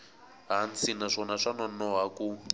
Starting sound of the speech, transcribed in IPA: ɦ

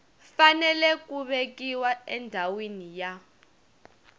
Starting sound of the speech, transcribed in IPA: f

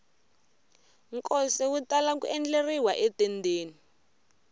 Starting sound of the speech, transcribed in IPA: ŋ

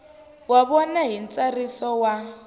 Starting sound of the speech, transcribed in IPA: w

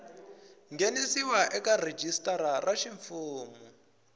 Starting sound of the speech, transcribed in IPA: ŋ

